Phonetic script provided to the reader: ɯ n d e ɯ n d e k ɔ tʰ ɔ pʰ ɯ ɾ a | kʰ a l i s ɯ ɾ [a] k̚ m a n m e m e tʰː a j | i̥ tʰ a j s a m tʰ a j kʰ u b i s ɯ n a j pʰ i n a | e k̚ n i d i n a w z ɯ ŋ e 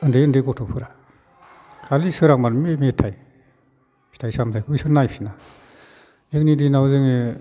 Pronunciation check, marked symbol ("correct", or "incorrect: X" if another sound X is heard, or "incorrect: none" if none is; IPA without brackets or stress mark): correct